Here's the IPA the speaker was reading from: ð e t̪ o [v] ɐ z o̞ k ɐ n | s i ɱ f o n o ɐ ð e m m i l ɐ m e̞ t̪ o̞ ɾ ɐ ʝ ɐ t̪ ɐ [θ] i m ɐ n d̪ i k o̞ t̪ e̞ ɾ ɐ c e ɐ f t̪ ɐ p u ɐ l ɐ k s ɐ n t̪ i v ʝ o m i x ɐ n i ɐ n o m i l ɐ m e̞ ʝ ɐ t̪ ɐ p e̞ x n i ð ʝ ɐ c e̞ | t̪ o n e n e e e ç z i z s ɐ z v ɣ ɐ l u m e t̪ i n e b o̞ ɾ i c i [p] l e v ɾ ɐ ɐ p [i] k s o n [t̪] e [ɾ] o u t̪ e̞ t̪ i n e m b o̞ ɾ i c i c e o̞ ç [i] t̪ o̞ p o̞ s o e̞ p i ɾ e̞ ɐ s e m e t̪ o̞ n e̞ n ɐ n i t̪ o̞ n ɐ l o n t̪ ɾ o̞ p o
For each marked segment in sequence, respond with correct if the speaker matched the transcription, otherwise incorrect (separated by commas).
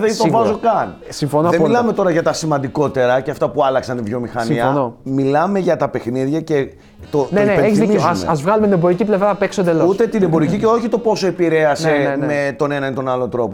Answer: correct, incorrect, correct, incorrect, incorrect, incorrect, correct